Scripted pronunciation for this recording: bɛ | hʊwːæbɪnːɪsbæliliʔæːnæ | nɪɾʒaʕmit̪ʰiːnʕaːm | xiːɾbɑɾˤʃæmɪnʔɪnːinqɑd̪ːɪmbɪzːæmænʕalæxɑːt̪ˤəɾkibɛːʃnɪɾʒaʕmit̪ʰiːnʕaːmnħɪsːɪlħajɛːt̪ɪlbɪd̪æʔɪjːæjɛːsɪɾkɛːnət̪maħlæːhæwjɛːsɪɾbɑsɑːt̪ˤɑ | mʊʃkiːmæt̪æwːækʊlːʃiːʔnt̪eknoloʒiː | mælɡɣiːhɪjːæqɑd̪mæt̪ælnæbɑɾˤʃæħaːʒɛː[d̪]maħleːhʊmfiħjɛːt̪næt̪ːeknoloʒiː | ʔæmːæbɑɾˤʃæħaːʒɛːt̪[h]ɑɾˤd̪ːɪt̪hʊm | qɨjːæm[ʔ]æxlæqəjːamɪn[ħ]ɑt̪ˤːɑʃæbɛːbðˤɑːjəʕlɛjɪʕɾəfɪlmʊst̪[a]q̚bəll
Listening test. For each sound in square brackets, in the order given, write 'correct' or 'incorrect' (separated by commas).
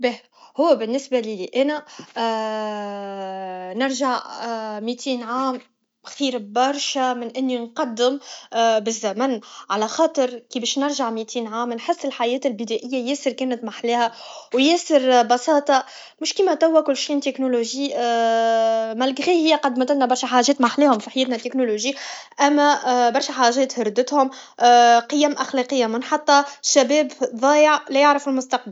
incorrect, correct, correct, correct, incorrect